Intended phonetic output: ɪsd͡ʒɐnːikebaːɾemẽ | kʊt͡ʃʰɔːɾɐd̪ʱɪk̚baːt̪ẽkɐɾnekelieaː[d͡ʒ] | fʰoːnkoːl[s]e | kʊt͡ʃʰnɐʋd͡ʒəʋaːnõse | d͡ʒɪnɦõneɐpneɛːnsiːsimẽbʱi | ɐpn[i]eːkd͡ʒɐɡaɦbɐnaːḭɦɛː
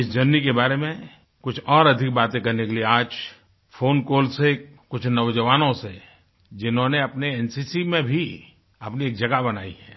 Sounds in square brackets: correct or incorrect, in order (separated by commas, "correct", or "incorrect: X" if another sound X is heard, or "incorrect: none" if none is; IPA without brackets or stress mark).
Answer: correct, correct, correct